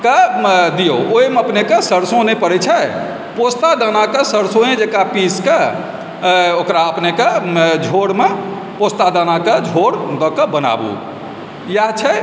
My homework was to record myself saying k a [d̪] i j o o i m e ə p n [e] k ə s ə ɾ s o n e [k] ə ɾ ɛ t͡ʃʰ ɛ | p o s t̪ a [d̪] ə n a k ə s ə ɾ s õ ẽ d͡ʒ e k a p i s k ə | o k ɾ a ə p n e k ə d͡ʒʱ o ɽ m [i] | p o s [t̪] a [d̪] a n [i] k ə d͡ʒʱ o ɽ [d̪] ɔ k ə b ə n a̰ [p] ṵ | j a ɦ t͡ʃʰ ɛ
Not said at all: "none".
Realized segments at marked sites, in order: d̪, e, p, d̪, e, t̪, d̪, a, d̪, b

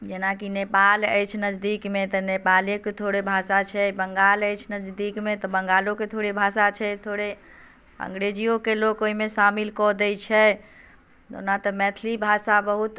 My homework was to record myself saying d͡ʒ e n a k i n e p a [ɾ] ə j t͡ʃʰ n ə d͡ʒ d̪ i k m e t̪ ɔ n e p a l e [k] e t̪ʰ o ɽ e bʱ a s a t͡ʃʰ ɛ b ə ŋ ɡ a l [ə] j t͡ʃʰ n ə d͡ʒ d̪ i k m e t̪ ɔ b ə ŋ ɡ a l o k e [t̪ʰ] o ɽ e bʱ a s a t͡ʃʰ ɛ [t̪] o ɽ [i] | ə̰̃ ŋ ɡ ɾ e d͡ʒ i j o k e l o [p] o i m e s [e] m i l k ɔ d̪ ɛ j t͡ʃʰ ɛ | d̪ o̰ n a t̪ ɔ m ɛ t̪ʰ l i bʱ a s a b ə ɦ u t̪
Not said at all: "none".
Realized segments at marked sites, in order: l, k, ə, t̪ʰ, t̪ʰ, e, k, a

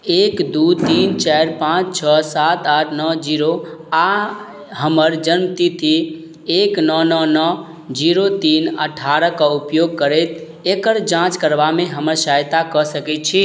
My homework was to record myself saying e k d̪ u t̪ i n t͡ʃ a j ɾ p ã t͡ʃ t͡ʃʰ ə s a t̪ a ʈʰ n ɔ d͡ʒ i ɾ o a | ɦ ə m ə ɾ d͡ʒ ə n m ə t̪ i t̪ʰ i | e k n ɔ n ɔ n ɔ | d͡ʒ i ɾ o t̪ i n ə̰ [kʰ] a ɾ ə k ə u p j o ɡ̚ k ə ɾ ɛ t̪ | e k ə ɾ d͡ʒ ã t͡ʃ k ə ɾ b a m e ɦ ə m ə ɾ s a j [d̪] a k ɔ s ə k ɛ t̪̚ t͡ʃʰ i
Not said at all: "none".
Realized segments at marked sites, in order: ʈʰ, t̪

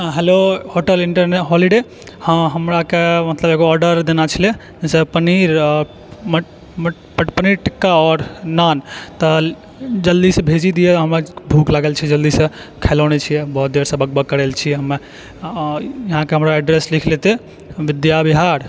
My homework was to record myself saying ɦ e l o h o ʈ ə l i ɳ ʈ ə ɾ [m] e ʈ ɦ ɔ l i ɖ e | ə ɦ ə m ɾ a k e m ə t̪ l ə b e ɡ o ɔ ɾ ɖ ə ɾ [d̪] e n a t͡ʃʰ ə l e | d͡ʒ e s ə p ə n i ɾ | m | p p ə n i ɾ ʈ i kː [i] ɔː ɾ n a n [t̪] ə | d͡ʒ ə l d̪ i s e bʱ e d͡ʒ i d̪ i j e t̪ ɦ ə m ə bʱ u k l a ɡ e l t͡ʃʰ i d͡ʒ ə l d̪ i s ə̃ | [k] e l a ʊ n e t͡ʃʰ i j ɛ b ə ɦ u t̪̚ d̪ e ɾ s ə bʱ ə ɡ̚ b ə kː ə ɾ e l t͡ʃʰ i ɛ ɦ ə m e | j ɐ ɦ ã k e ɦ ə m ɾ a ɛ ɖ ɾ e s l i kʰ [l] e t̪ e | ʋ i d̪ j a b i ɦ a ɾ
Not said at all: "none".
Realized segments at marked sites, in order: n, d̪, a, t̪, kʰ, l

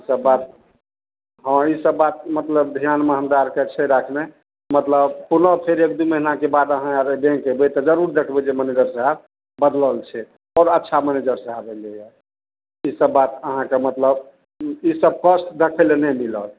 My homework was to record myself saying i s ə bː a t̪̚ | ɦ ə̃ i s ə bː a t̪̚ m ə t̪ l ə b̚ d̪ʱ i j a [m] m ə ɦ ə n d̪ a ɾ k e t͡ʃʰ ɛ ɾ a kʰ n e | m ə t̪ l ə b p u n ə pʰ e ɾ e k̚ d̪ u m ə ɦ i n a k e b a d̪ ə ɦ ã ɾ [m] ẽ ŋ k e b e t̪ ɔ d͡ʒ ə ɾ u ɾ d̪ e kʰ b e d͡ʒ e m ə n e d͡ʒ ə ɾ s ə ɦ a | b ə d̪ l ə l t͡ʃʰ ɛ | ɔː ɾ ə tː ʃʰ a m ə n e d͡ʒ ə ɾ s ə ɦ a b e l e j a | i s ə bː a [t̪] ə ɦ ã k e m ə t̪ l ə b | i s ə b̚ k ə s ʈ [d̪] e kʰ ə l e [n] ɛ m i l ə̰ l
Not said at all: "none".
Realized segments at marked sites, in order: n, b, t̪, d̪, n

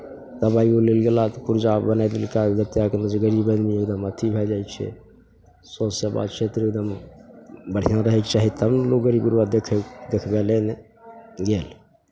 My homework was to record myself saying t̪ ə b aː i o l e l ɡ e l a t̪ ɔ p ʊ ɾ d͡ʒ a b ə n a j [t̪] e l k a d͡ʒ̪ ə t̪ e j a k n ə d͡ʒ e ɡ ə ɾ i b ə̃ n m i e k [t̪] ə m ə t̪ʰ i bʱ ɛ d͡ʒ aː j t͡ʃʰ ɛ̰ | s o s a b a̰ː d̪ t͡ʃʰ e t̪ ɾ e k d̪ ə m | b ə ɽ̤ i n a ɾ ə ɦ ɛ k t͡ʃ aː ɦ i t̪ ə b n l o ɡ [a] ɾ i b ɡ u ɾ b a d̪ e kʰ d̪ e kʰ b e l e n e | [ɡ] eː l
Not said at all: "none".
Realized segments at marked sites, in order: d̪, d̪, ə, ɡ

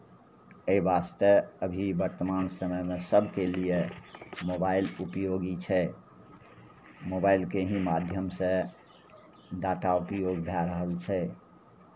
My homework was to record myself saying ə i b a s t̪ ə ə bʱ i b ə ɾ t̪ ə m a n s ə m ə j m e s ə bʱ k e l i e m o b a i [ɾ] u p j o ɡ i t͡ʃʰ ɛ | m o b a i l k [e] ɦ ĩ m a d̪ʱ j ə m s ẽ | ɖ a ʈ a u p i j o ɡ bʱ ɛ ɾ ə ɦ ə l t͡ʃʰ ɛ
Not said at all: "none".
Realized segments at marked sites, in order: l, e

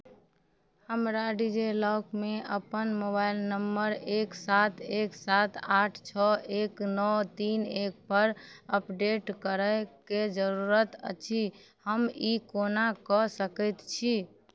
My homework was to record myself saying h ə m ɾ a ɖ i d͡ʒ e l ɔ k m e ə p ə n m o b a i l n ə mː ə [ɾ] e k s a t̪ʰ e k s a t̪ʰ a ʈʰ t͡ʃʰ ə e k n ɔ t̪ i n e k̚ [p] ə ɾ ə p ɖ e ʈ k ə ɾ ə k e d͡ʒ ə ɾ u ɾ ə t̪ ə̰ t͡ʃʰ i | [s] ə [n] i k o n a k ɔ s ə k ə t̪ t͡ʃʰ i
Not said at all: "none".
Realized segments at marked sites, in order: ɾ, p, h, m

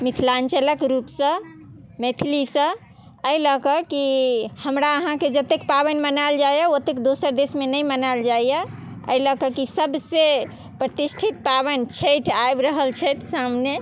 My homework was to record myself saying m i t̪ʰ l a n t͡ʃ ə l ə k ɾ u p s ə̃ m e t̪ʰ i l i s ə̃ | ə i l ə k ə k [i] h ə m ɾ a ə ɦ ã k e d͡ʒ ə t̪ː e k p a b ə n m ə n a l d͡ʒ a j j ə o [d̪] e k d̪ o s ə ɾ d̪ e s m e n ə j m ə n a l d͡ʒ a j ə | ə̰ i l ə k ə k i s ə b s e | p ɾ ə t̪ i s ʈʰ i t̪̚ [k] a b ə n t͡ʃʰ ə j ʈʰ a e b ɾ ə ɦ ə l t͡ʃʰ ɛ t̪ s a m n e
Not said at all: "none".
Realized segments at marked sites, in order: i, t̪, p

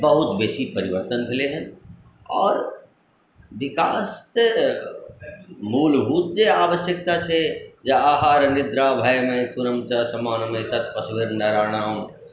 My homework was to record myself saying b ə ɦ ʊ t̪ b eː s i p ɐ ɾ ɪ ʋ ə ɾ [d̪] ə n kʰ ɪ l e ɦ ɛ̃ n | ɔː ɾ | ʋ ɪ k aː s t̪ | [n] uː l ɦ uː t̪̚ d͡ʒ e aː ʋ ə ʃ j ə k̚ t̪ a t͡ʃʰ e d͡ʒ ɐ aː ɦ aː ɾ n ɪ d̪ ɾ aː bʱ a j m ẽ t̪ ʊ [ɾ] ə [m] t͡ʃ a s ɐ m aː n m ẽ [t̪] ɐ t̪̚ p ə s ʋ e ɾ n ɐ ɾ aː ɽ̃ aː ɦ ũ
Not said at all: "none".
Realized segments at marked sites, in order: t̪, m, ɾ, m, t̪

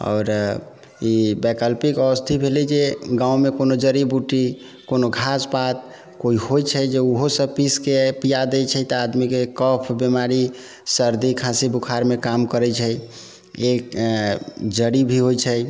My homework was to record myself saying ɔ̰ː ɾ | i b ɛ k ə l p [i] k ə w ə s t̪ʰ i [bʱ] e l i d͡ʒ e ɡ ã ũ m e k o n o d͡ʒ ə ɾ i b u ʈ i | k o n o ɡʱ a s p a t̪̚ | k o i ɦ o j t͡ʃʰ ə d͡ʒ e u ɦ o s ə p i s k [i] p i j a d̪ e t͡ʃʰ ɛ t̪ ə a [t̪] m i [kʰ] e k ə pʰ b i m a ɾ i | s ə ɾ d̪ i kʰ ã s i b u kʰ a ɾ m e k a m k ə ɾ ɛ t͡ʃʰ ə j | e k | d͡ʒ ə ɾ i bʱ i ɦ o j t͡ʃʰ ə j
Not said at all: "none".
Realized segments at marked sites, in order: i, bʱ, e, d̪, k

